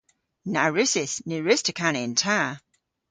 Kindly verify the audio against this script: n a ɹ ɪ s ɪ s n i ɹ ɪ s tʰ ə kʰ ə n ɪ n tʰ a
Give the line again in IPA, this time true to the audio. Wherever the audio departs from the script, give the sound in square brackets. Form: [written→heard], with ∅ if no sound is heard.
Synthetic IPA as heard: n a ɹ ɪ s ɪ s n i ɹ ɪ s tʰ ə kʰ [ə→a] n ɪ n tʰ a